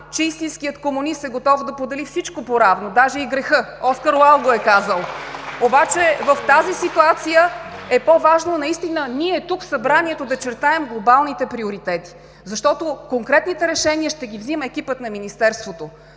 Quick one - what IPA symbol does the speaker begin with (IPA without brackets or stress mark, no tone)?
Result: t͡ʃ